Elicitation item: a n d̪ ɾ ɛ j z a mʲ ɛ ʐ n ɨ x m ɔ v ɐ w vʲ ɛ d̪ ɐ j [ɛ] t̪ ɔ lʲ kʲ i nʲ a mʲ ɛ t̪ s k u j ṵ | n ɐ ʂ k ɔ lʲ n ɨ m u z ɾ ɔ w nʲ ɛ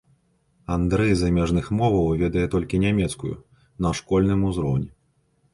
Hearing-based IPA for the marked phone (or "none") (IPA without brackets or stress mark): ɛ